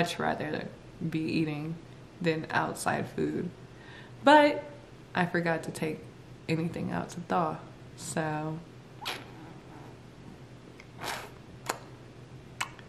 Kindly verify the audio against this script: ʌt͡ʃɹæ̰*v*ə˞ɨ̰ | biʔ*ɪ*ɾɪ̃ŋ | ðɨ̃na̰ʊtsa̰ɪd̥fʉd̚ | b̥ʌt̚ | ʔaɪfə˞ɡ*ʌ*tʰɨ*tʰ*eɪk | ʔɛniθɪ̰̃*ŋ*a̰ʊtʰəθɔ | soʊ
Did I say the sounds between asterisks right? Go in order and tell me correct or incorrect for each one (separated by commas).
incorrect, incorrect, incorrect, correct, correct